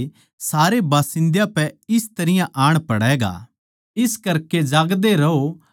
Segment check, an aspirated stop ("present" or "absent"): absent